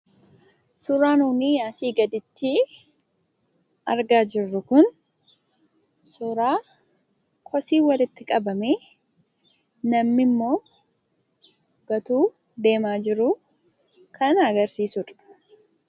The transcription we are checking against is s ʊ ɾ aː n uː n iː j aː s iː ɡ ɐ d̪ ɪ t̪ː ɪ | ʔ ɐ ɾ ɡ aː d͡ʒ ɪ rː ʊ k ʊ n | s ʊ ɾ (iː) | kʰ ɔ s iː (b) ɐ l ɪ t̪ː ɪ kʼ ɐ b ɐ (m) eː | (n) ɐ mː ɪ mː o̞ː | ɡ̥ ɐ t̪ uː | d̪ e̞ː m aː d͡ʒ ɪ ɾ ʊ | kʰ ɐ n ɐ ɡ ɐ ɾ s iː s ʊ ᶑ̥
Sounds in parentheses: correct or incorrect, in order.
incorrect, incorrect, correct, correct

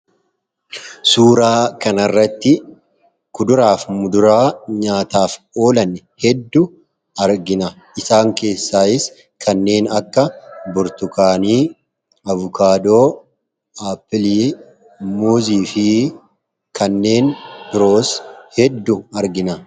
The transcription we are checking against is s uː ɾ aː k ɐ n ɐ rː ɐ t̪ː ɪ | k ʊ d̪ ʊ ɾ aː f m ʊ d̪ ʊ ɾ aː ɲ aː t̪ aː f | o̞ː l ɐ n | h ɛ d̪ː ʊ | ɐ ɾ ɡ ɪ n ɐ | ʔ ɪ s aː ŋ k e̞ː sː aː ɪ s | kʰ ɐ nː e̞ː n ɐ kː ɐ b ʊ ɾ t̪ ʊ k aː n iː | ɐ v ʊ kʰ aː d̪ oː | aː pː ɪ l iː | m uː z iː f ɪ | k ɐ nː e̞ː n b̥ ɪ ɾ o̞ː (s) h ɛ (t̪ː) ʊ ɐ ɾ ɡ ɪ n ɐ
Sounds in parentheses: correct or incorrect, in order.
correct, incorrect

